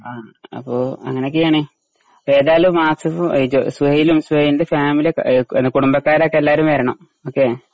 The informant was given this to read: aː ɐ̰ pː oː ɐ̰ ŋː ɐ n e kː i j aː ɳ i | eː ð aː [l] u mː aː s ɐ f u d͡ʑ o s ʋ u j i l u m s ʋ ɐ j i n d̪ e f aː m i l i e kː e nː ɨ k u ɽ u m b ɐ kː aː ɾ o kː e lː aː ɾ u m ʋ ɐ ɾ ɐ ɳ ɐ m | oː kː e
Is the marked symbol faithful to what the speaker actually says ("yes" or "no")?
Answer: yes